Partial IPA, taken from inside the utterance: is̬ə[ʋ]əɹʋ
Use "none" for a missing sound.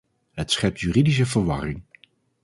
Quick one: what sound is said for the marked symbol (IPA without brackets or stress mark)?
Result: v